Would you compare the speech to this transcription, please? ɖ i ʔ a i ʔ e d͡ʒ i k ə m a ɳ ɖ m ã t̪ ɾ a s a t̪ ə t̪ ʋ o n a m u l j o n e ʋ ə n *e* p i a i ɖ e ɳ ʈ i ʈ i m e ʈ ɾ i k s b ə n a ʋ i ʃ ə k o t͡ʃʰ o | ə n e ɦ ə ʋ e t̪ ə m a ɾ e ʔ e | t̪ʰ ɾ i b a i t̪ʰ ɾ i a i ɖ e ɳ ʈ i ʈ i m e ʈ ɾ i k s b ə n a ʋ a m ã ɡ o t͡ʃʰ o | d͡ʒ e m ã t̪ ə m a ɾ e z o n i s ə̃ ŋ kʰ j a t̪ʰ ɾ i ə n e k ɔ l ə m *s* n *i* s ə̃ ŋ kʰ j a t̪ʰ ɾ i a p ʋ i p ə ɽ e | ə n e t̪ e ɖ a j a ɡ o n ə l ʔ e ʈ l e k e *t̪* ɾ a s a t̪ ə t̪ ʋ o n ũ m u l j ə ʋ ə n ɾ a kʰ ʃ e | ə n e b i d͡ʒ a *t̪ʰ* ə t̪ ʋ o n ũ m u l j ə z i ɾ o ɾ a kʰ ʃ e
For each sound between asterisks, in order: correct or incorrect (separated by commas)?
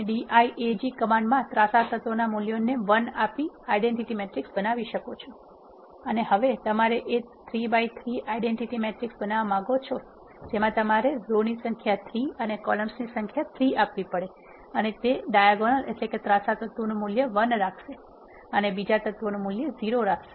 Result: incorrect, correct, correct, correct, incorrect